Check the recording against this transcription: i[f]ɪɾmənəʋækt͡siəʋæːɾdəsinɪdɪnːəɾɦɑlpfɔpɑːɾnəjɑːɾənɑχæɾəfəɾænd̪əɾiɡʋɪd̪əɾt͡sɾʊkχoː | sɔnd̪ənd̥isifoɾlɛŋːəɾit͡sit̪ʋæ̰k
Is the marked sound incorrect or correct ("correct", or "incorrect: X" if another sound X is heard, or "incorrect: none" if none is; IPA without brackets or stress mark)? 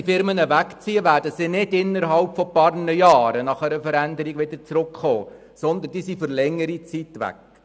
correct